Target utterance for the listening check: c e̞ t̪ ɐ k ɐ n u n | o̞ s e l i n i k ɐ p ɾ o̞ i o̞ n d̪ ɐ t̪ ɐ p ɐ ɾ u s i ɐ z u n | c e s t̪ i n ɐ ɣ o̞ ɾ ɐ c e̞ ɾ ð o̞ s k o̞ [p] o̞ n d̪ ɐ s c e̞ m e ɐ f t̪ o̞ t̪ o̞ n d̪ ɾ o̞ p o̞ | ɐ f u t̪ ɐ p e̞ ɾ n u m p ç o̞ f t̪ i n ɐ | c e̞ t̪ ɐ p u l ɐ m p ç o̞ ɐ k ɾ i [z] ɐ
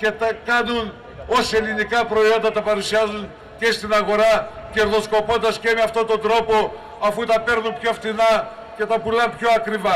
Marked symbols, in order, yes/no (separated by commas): yes, no